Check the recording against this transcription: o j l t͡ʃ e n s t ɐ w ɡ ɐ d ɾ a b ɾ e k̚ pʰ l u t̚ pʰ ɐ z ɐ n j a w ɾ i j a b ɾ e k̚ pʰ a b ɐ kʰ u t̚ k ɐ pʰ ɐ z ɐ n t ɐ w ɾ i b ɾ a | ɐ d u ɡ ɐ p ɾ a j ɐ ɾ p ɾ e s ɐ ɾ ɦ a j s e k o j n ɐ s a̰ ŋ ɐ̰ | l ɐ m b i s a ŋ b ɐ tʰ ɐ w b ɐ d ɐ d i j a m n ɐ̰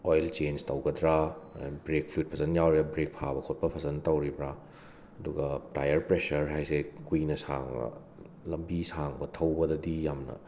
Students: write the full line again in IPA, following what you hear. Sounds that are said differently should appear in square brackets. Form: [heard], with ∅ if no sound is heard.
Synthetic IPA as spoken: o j l t͡ʃ e n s t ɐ w ɡ ɐ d ɾ a b ɾ e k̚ pʰ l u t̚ pʰ ɐ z ɐ n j a w ɾ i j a b ɾ e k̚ pʰ a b ɐ kʰ [o] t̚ [p] ɐ pʰ ɐ z ɐ n t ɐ w ɾ i b ɾ a | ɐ d u ɡ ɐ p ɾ a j ɐ ɾ p ɾ e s ɐ ɾ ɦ a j s e k [u] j n ɐ s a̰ ŋ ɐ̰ | l ɐ m b i s a ŋ b ɐ tʰ ɐ w b ɐ d ɐ d i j a m n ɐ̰